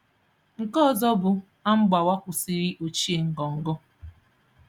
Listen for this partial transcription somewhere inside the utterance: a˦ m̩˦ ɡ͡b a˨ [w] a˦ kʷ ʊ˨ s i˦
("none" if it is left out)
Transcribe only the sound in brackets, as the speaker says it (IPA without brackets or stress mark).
w